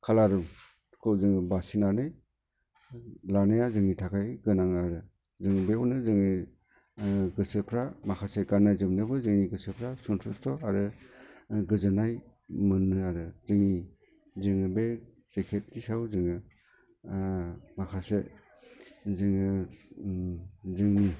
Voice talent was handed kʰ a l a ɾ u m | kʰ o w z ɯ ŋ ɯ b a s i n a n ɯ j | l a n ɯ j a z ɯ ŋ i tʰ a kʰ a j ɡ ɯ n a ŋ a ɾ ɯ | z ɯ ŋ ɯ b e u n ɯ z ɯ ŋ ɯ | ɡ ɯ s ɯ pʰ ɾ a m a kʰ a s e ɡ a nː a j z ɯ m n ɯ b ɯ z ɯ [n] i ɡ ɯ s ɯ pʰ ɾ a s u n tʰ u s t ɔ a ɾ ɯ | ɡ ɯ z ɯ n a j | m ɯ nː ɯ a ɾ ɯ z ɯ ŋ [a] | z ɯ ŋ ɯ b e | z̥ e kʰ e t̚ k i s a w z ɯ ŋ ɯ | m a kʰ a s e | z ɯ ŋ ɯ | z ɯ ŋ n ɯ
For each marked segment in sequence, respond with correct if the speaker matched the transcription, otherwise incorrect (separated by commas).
incorrect, incorrect